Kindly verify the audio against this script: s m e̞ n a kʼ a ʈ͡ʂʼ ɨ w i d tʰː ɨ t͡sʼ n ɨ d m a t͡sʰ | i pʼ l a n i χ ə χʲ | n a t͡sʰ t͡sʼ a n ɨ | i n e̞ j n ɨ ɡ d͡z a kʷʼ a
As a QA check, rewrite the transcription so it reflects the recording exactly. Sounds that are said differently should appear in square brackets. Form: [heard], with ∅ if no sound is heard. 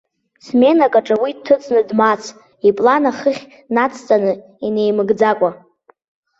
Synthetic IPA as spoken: s m e̞ n a kʼ a ʈ͡ʂʼ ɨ w i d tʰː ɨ t͡sʼ n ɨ d m a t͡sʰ | i pʼ l a n [a] χ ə χʲ | n a t͡sʰ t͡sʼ a n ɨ | i n e̞ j [m] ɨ ɡ d͡z a kʷʼ a